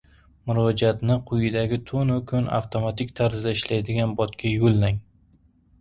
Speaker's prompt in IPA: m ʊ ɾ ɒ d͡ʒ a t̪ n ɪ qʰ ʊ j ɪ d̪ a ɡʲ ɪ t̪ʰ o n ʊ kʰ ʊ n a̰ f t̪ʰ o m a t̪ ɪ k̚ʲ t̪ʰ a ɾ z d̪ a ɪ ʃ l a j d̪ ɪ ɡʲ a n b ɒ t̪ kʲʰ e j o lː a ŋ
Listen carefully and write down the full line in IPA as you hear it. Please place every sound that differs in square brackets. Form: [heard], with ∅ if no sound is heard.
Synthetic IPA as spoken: m ʊ ɾ ɒ d͡ʒ a t̪ n ɪ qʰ ʊ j ɪ d̪ a ɡʲ ɪ t̪ʰ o n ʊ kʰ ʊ n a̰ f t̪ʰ o m a t̪ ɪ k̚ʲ t̪ʰ a ɾ z d̪ a ɪ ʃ l a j d̪ ɪ ɡʲ a n b ɒ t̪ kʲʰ [a] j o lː a ŋ